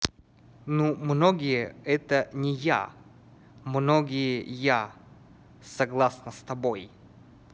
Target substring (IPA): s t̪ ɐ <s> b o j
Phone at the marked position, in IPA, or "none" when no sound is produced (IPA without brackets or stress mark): none